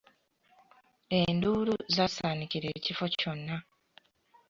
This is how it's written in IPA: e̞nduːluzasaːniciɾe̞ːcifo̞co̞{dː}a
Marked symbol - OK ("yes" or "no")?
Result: no